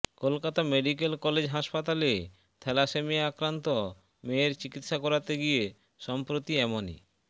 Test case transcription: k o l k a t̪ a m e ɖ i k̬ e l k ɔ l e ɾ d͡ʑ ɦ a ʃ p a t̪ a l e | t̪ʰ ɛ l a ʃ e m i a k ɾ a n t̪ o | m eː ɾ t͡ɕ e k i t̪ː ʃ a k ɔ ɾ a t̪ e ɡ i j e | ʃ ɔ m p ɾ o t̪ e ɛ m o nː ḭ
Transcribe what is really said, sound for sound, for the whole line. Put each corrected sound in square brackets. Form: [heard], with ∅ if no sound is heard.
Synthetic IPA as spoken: k o l k a t̪ a m e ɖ i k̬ e l k ɔ l e [∅] d͡ʑ ɦ a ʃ p a t̪ a l e | t̪ʰ ɛ l a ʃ e m i a k ɾ a n t̪ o | m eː ɾ t͡ɕ [i] k i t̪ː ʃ a k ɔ ɾ a t̪ e ɡ i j e | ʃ ɔ m p ɾ o t̪ [i] ɛ m o [n] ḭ